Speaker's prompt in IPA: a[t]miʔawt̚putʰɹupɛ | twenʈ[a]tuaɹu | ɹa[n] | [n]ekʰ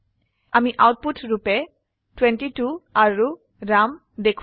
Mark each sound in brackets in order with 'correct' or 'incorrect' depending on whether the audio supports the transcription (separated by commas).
incorrect, incorrect, incorrect, incorrect